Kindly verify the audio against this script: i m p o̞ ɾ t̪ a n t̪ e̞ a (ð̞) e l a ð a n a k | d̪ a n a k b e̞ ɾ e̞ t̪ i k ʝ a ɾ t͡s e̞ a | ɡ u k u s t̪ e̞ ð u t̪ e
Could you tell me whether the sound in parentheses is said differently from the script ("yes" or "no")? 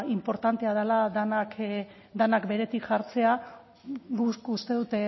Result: no